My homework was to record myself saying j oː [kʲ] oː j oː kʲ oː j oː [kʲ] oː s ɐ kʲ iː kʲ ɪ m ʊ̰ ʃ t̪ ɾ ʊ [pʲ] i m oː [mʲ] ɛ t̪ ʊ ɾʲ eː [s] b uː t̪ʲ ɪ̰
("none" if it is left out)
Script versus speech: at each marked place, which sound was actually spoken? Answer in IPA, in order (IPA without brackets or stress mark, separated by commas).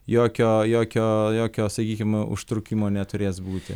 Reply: kʲ, kʲ, kʲ, nʲ, s